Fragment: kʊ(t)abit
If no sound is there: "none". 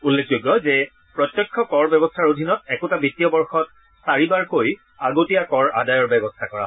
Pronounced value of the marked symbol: t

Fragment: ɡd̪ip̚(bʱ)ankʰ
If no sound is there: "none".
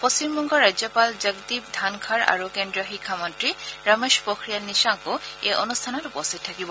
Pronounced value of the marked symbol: dʱ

